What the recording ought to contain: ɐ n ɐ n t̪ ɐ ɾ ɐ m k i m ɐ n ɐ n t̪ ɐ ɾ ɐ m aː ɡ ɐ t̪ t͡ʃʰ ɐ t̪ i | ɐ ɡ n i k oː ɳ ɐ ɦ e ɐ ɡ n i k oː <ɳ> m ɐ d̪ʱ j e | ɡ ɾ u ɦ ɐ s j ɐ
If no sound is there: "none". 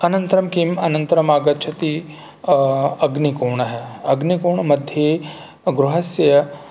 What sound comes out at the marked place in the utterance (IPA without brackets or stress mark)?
ɳ